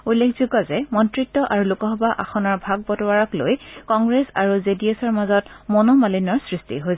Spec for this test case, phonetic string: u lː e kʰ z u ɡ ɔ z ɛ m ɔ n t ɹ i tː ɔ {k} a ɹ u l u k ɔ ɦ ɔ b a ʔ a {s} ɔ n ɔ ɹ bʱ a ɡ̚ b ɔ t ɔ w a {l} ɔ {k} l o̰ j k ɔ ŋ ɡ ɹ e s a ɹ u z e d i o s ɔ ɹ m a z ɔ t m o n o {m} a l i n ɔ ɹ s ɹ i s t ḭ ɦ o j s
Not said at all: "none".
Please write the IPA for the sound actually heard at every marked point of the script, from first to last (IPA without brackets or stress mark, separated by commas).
ʔ, x, ɹ, k, m